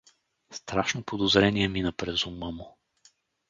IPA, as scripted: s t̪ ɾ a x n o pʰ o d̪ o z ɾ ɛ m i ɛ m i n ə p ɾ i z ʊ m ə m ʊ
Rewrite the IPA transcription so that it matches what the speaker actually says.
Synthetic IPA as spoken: s t̪ ɾ a ʃ n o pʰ o d̪ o z ɾ ɛ n i ɛ m i n ə p ɾ ɛ z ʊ m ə m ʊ